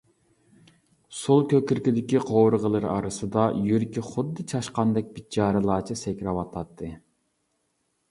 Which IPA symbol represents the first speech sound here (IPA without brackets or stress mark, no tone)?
s